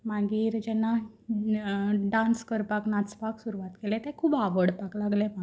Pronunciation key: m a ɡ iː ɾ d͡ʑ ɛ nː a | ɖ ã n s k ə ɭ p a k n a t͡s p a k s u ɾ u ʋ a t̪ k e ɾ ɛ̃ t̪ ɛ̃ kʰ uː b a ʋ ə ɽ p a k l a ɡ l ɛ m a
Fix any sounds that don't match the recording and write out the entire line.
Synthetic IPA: m a ɡ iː ɾ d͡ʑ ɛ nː a | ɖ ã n s k ə ɾ p a k n a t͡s p a k s u ɾ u ʋ a t̪ k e l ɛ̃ t̪ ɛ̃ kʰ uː b a ʋ ə ɽ p a k l a ɡ l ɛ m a